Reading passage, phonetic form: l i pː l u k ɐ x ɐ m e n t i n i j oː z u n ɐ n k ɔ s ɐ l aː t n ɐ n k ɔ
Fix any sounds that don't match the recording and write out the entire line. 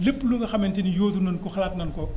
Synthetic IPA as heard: l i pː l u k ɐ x ɐ m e n t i n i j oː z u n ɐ n k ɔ x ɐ l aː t n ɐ n k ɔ